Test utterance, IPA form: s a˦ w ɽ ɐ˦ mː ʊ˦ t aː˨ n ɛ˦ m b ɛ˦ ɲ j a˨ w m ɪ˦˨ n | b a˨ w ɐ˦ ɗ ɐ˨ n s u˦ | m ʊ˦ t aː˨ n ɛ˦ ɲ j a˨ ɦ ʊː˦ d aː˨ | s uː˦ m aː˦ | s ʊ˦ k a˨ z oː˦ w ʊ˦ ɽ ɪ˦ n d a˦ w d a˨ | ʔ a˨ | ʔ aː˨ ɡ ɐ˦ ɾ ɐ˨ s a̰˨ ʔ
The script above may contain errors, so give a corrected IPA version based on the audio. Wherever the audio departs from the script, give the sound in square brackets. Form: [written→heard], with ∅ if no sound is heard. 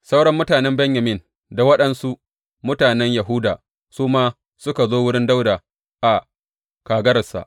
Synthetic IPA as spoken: s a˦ w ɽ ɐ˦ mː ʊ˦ t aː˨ n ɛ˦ m b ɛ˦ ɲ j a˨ [w→∅] m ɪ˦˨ n | [b→d] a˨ w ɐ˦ ɗ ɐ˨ n s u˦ | m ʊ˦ t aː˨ n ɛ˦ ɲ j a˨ ɦ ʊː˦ d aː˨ | s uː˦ m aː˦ | s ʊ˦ k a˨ z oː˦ w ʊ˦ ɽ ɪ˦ n d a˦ w d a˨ | ʔ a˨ | [ʔ→k] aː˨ ɡ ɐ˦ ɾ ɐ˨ s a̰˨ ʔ